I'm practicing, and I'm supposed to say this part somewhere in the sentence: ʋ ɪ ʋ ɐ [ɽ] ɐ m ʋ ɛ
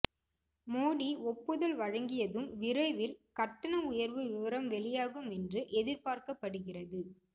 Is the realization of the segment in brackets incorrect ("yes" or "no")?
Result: yes